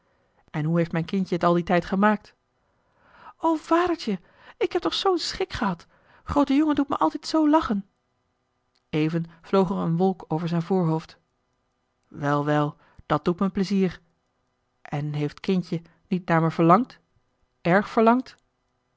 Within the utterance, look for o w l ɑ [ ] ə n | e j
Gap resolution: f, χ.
χ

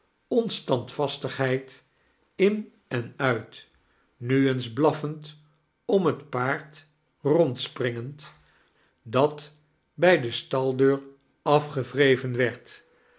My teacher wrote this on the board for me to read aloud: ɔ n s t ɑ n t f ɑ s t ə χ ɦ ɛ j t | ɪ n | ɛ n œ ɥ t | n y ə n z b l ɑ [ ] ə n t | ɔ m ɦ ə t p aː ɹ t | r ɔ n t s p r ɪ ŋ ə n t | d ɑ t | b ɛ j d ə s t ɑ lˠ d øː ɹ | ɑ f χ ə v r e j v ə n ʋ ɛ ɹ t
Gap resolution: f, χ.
f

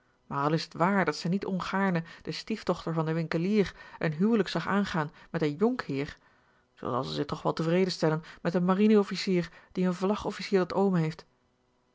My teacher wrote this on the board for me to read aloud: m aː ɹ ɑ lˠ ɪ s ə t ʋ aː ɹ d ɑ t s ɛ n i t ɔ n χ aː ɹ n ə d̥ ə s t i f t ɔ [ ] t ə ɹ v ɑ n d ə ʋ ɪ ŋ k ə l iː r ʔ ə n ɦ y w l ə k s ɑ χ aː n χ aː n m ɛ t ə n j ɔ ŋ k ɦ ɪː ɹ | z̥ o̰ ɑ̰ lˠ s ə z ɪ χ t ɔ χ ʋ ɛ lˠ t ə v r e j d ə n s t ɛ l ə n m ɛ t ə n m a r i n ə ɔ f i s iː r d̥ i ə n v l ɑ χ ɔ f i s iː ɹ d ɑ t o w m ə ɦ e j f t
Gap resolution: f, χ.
χ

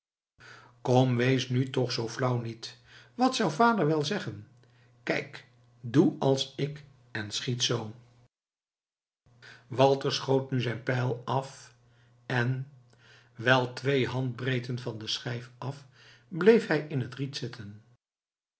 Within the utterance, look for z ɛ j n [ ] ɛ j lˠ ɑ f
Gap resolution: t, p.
p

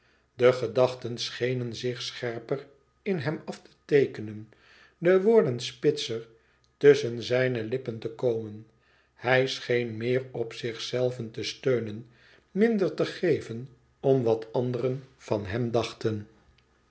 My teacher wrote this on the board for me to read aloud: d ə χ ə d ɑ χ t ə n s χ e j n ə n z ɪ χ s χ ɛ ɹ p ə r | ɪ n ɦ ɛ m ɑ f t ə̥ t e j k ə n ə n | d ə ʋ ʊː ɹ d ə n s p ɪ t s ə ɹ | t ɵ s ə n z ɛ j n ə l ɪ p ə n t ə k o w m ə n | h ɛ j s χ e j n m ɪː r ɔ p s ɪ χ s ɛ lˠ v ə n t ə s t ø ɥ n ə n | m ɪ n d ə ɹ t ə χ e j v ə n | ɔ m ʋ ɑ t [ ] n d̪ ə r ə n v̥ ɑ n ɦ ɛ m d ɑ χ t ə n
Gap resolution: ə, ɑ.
ɑ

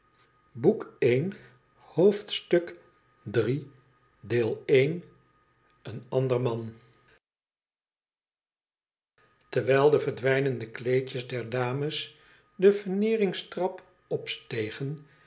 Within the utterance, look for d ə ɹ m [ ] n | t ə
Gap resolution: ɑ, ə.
ɑ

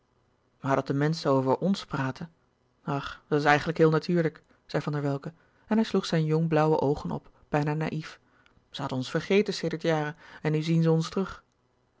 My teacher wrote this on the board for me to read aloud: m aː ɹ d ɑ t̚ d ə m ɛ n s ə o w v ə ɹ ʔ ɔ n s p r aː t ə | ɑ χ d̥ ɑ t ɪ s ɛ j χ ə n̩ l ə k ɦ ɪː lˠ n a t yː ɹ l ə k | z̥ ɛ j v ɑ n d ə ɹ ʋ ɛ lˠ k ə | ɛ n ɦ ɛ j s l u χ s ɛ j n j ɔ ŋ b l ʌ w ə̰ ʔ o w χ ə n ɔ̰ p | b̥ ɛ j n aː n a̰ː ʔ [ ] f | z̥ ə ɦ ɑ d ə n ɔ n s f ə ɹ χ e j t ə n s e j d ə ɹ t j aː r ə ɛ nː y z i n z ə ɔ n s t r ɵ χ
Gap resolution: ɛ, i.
i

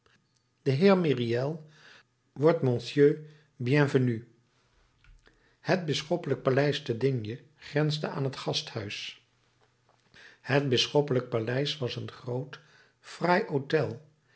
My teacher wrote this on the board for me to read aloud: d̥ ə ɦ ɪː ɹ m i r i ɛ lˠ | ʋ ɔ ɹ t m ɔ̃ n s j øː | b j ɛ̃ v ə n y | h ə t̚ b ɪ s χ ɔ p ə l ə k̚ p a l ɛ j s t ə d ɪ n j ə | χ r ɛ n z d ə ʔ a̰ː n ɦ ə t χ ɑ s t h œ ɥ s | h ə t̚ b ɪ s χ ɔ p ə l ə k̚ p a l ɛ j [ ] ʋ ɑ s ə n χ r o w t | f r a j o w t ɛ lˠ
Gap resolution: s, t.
s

